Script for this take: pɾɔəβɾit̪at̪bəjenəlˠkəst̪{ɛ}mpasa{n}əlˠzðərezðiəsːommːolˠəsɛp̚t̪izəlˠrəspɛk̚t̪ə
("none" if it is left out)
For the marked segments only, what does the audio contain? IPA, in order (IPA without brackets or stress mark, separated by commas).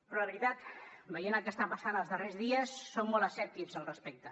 a, n